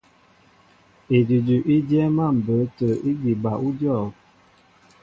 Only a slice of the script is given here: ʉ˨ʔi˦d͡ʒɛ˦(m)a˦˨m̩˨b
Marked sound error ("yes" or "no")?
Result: no